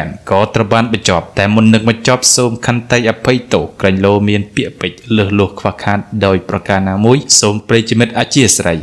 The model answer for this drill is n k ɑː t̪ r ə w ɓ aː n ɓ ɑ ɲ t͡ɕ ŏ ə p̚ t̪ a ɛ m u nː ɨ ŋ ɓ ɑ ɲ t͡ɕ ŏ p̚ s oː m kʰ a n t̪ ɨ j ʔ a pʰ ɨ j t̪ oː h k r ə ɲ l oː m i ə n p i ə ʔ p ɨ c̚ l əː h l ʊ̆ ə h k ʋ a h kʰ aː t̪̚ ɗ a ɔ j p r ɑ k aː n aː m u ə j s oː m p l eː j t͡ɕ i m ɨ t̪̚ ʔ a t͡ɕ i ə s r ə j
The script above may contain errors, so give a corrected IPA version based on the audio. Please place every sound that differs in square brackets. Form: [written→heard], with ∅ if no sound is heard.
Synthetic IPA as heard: n k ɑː t̪ r ə w ɓ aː n ɓ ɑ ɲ t͡ɕ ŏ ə p̚ t̪ a ɛ m u nː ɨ ŋ ɓ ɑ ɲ t͡ɕ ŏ p̚ s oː m kʰ a n t̪ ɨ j ʔ a pʰ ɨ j t̪ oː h k r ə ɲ l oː m i ə n p i ə ʔ p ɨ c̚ l əː h l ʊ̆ ə h [k→kʰ] ʋ a h kʰ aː t̪̚ ɗ a ɔ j p r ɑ k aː n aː m u ə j s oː m p [l→r] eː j t͡ɕ i m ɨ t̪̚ ʔ a t͡ɕ i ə s r ə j